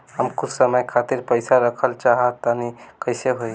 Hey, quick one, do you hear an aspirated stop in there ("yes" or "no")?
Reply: yes